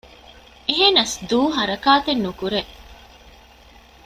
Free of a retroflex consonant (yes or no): yes